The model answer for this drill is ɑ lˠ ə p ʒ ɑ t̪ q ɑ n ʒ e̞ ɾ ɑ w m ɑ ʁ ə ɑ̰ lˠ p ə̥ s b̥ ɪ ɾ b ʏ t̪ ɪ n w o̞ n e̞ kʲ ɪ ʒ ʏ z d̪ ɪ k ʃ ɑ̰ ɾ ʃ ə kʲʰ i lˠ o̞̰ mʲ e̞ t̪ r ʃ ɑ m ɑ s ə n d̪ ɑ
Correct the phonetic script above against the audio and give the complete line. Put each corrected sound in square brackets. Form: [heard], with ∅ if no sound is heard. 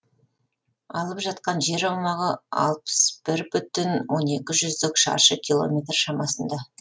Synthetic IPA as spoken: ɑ lˠ ə p ʒ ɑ t̪ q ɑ n ʒ e̞ ɾ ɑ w m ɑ ʁ ə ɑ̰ lˠ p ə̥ s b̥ ɪ ɾ b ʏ t̪ ɪ n w o̞ n e̞ kʲ ɪ ʒ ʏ z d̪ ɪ k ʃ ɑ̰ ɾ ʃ ə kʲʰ i lˠ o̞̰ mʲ e̞ t̪ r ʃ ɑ m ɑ s ə n d̪ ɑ

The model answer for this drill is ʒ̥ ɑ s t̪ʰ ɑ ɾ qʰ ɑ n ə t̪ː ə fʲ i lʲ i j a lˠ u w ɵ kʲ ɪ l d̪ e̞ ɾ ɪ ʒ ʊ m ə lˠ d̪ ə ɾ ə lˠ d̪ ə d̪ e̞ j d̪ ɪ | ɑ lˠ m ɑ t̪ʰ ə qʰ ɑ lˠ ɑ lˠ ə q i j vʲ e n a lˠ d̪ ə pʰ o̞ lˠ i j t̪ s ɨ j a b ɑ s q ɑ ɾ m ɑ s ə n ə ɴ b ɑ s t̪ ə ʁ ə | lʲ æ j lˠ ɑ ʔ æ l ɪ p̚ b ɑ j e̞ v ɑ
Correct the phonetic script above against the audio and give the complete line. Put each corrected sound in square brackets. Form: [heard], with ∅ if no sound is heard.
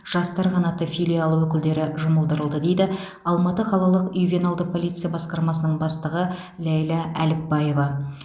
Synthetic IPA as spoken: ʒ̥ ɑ s [t̪] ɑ ɾ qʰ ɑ n [ɑ] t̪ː ə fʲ i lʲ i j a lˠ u w ɵ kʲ ɪ l d̪ e̞ ɾ ɪ ʒ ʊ m ə lˠ d̪ ə ɾ ə lˠ d̪ ə d̪ e̞ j d̪ ɪ | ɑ lˠ m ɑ [t̪] ə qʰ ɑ lˠ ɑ lˠ ə q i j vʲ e n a lˠ d̪ ə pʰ o̞ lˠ i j t̪ s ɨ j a b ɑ s q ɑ ɾ m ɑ s ə n ə ɴ b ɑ s t̪ ə ʁ ə | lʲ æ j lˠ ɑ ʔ æ l ɪ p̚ b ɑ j e̞ v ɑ

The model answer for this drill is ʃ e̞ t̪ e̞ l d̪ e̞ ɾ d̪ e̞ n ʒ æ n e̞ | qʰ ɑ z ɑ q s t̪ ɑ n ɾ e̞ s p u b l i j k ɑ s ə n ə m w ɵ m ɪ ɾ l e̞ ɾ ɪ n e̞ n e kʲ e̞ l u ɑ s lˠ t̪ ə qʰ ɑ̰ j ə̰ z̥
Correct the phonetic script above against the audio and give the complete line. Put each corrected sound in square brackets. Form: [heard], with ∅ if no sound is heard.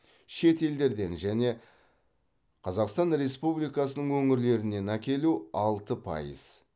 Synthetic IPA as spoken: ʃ e̞ t̪ e̞ l d̪ e̞ ɾ d̪ e̞ n ʒ æ n e̞ | qʰ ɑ z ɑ q s t̪ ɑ n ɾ e̞ s p u b l i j k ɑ s ə n ə [ɴ] w ɵ [ŋ] ɪ ɾ l e̞ ɾ ɪ n e̞ n [æ] kʲ e̞ l u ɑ [∅] lˠ t̪ ə [pʰ] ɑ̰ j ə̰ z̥

